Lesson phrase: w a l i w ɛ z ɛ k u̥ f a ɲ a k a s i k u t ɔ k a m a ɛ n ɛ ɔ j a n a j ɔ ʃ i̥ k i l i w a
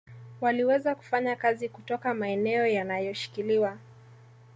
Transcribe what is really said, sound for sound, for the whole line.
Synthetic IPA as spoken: w a l i w ɛ z a k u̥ f a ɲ a k a z i k u t ɔ k a m a ɛ n ɛ ɔ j a n a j ɔ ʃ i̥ k i l i w a

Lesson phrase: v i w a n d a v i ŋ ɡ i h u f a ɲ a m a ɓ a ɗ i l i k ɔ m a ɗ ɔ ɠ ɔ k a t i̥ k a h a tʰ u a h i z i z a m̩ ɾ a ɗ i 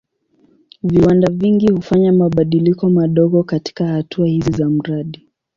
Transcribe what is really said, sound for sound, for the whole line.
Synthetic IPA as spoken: v i w a n d a v i ŋ ɡ i h u f a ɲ a m a ɓ a ɗ i l i k ɔ m a ɗ ɔ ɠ ɔ k a t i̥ k a h a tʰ u a h i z i z a m̩ ɾ a ɗ i

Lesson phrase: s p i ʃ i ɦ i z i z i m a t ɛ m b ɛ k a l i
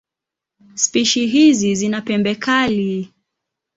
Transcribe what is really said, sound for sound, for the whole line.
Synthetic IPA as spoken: s p i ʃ i ɦ i z i z i n a p ɛ m b ɛ k a l i

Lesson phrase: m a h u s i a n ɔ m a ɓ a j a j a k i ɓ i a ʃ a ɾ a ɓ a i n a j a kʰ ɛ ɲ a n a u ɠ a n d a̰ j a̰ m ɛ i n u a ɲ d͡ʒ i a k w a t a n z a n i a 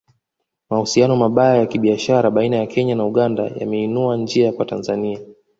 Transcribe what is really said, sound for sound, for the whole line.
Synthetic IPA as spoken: m a h u s i a n ɔ m a ɓ a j a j a k i ɓ i a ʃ a ɾ a ɓ a i n a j a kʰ ɛ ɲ a n a u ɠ a n d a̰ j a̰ m ɛ i n u a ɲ d͡ʒ i a k w a t a n z a n i a

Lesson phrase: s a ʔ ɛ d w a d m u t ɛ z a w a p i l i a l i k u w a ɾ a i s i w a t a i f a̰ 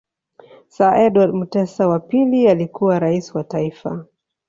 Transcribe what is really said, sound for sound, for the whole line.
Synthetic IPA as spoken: s a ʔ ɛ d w a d m u t ɛ s a w a p i l i a l i k u w a ɾ a i s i w a t a i f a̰

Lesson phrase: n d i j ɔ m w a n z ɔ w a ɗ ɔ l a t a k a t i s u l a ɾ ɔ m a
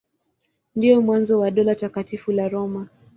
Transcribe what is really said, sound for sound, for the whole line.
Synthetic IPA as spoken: n d i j ɔ m w a n z ɔ w a ɗ ɔ l a t a k a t i f u l a ɾ ɔ m a

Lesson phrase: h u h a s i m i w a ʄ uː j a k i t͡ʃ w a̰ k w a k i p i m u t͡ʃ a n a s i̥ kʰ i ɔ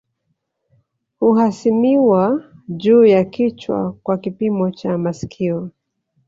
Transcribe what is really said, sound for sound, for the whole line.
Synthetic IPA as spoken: h u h a s i m i w a ʄ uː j a k i t͡ʃ w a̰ k w a k i p i m ɔ t͡ʃ a m a s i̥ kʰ i ɔ

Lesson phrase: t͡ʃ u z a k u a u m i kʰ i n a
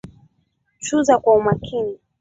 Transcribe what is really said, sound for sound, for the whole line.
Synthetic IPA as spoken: t͡ʃ u z a k w a u m a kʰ i n i

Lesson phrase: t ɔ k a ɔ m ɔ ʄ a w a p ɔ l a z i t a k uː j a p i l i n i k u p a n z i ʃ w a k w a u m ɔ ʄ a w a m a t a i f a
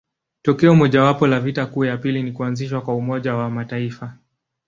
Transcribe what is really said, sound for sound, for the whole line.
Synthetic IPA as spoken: t ɔ k ɛ ɔ m ɔ ʄ a w a p ɔ l a v i t a k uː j a p i l i n i k u a n z i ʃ w a k w a u m ɔ ʄ a w a m a t a i f a

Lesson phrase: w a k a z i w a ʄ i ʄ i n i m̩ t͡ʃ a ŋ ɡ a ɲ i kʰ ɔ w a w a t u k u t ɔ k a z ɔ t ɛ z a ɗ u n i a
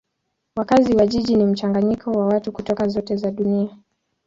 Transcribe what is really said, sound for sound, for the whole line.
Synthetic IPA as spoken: w a k a z i w a ʄ i ʄ i n i m̩ t͡ʃ a ŋ ɡ a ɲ i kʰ ɔ w a w a t u k u t ɔ k a z ɔ t ɛ z a ɗ u n i a

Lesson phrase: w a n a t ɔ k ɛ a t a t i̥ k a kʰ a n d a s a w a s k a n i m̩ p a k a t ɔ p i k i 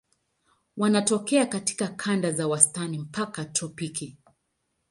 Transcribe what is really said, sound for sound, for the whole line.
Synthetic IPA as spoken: w a n a t ɔ k ɛ a k a t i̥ k a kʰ a n d a z a w a s t a n i m̩ p a k a t ɔ p i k i

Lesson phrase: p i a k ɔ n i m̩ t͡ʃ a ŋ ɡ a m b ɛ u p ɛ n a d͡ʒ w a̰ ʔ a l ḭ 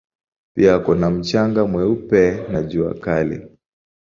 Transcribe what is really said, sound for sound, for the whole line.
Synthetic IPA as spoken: p i a k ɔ n a m̩ t͡ʃ a ŋ ɡ a m w ɛ u p ɛ n a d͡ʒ u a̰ k a l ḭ

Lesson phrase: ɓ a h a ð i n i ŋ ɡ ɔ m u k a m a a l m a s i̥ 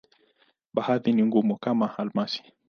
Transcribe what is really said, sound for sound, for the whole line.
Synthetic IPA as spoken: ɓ a h a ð i n i ŋ ɡ u m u k a m a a l m a s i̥

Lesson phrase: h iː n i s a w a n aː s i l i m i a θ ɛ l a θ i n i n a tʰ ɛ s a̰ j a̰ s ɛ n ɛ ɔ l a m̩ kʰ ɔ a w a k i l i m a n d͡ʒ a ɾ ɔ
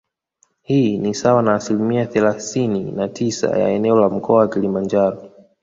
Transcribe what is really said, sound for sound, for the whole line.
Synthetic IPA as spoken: h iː n i s a w a n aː s i l i m i a θ ɛ l a θ i n i n a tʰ i s a̰ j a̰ ɛ n ɛ ɔ l a m̩ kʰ ɔ a w a k i l i m a n d͡ʒ a ɾ ɔ

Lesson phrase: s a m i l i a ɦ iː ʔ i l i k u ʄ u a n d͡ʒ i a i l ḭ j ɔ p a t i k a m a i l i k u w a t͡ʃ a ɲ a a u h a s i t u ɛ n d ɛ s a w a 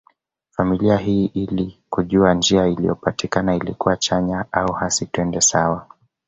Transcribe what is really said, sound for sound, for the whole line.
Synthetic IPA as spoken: f a m i l i a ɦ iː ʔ i l i k u ʄ u a n d͡ʒ i a i l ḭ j ɔ p a t i k a n a i l i k u w a t͡ʃ a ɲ a a u h a s i t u ɛ n d ɛ s a w a

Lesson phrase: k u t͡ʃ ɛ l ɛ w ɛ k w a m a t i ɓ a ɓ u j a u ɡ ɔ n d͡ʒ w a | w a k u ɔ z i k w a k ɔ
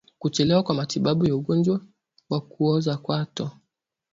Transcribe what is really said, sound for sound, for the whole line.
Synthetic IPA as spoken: k u t͡ʃ ɛ l ɛ w a k w a m a t i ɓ a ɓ u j a u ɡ ɔ n d͡ʒ w a | w a k u ɔ z a k w a t ɔ

